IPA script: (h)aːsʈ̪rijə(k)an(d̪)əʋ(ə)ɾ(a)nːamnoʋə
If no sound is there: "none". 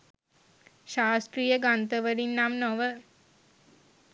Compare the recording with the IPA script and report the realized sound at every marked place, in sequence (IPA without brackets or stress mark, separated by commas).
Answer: ʃ, ɡ, t̪, ə, i